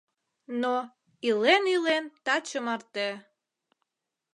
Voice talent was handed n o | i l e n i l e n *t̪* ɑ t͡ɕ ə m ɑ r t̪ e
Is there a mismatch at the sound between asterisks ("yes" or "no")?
no